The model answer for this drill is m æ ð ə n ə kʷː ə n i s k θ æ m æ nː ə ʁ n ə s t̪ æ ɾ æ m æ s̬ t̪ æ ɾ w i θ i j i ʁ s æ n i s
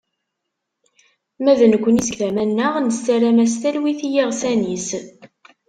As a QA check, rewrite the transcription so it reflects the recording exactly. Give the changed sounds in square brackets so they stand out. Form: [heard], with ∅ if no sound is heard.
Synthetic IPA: m æ ð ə n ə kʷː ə n i s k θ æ m æ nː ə ʁ n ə s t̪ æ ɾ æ m æ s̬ t̪ æ [l] w i θ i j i ʁ s æ n i s